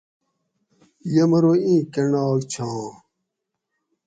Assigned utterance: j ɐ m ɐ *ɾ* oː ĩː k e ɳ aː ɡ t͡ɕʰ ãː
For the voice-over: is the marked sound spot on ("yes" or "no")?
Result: yes